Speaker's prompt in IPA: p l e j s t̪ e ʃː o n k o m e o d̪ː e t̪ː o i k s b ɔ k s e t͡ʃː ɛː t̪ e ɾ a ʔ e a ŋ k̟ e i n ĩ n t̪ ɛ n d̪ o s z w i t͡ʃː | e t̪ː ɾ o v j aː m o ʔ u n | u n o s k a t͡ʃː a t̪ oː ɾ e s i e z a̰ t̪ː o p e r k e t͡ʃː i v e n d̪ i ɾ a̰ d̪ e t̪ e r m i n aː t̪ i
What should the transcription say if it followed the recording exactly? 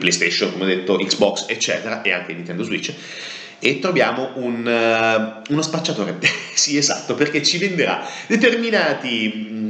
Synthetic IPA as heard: p l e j s t̪ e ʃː o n k o m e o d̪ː e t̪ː o i k s b ɔ k s e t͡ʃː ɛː t̪ e ɾ a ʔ e a ŋ k̟ e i n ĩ n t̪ ɛ n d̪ o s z w i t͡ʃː | e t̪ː ɾ o v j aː m o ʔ u n | u n o s p a t͡ʃː a t̪ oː ɾ e s i e z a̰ t̪ː o p e r k e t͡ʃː i v e n d̪ e ɾ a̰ d̪ e t̪ e r m i n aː t̪ i